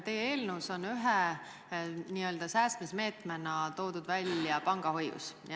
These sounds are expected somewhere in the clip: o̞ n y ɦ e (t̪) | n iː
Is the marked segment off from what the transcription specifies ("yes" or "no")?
yes